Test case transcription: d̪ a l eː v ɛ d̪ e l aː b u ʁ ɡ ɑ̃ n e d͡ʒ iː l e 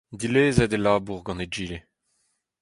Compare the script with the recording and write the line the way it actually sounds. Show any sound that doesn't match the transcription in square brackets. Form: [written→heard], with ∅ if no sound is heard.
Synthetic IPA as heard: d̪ [a→i] l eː [v→z] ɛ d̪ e l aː b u ʁ ɡ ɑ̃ n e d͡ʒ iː l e